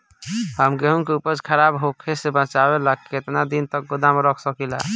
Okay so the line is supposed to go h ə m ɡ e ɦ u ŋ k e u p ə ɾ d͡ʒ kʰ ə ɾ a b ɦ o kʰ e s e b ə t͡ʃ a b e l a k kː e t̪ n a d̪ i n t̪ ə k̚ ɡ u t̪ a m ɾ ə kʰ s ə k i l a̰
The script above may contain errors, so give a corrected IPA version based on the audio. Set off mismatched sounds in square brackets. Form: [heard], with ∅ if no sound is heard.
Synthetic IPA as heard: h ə m ɡ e ɦ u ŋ k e u p ə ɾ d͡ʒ kʰ ə ɾ a b ɦ o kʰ e s e b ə t͡ʃ a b e l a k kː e t̪ n a d̪ i n t̪ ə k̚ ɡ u [d̪] a m ɾ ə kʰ s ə k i l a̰